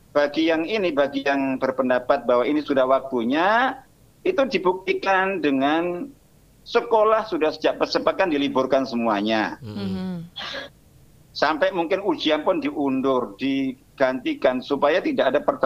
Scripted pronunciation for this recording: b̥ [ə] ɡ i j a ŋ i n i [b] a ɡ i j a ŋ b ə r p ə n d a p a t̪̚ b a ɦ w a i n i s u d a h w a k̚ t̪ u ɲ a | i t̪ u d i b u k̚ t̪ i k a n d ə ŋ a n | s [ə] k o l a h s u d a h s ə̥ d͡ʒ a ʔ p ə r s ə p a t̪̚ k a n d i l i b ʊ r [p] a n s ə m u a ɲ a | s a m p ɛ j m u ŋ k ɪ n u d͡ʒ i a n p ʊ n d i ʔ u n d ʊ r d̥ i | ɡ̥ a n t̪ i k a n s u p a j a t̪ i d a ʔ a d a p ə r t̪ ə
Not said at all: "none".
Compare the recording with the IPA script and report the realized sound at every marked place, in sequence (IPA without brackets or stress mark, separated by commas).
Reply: a, b, ə, k